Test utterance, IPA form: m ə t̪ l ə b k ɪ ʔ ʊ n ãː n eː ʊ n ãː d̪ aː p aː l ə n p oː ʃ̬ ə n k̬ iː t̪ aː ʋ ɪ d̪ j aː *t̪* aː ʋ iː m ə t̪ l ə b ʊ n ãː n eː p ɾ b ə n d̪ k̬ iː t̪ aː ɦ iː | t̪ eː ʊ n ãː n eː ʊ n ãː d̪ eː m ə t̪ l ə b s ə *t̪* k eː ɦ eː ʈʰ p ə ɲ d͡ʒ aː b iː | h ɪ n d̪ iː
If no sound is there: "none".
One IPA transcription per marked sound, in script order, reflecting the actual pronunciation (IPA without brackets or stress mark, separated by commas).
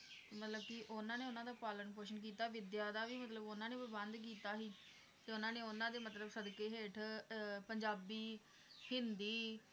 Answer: d̪, d̪